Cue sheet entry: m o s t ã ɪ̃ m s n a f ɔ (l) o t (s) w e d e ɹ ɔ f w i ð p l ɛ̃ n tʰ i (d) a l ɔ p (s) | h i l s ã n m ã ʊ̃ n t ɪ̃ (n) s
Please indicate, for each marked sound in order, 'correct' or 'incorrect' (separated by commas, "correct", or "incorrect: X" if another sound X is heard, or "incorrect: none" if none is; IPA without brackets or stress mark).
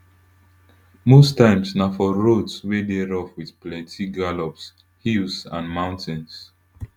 incorrect: ɹ, correct, incorrect: ɡ, correct, correct